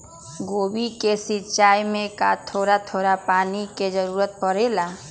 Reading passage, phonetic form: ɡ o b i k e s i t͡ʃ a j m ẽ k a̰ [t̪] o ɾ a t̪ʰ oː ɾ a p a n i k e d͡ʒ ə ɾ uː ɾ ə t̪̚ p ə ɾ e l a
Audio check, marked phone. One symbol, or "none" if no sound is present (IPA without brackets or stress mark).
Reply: t̪ʰ